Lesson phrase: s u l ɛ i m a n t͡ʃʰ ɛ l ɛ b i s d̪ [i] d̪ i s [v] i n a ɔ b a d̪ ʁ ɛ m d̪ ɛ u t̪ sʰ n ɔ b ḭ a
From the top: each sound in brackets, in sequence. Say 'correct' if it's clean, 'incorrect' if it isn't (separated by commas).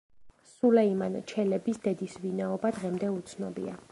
incorrect, correct